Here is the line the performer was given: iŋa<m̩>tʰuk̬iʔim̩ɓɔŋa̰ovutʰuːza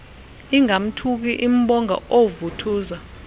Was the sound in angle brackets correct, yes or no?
yes